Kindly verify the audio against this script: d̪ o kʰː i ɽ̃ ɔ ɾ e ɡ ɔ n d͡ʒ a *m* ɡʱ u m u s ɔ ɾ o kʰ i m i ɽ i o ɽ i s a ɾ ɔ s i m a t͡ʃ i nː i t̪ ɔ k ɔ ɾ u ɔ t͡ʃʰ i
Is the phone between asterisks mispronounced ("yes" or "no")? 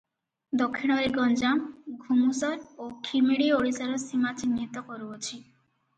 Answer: no